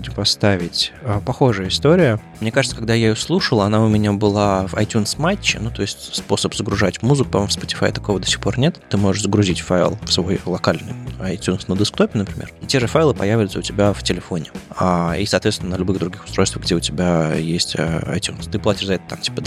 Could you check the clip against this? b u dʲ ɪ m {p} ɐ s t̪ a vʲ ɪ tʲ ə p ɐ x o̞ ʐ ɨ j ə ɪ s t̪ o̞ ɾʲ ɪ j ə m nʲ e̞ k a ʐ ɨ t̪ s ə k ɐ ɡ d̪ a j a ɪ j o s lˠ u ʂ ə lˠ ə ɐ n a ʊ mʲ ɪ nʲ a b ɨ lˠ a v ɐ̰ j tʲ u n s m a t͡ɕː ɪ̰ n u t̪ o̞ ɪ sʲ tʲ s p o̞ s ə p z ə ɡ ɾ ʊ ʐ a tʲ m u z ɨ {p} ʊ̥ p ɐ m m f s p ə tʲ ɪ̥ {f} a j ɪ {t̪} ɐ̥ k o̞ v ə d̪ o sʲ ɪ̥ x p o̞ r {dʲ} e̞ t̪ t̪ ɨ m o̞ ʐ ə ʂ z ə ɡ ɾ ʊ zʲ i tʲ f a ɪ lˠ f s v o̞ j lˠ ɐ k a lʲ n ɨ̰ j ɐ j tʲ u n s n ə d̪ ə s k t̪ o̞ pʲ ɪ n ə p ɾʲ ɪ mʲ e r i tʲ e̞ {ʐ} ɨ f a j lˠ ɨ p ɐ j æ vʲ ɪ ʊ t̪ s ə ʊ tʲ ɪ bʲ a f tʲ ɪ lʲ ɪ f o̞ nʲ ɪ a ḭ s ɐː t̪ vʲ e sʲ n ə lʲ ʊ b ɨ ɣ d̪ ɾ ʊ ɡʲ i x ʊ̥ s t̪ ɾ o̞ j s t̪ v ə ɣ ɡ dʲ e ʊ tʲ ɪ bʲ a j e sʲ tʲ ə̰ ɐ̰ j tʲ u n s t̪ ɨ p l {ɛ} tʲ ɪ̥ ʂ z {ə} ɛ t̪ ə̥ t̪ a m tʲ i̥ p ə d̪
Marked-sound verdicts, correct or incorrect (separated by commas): correct, incorrect, correct, correct, incorrect, correct, incorrect, incorrect